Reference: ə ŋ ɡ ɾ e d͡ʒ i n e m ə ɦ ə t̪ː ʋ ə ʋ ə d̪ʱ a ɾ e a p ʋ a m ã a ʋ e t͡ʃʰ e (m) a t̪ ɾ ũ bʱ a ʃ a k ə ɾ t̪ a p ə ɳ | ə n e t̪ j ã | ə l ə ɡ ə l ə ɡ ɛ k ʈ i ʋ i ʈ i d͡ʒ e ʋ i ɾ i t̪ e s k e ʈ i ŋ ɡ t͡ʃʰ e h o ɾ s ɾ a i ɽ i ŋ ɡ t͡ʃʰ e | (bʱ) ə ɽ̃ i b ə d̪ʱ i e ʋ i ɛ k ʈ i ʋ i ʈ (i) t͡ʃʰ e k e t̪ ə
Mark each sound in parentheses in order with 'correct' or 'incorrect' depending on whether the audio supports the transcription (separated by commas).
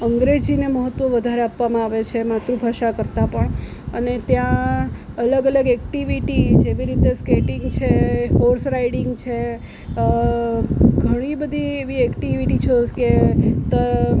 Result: correct, incorrect, correct